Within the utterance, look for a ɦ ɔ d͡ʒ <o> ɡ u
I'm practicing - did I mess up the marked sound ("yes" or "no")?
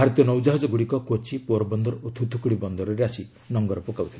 yes